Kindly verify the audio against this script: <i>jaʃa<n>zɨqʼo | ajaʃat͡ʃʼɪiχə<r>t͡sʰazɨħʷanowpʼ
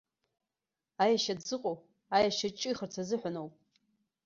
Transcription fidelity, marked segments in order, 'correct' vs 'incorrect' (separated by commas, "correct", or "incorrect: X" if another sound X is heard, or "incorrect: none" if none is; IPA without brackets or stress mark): incorrect: a, incorrect: d, correct